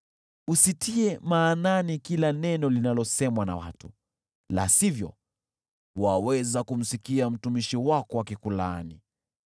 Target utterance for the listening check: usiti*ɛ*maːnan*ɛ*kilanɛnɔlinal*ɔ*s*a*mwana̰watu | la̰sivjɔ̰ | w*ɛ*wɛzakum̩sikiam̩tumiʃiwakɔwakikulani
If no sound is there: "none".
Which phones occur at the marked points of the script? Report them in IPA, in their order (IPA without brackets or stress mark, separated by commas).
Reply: ɛ, i, ɔ, ɛ, a